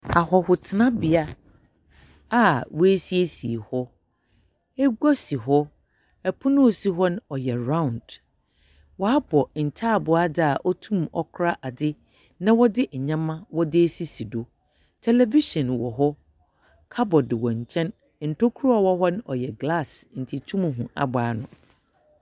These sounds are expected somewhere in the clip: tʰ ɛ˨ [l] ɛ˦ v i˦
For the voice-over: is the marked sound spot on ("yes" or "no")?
yes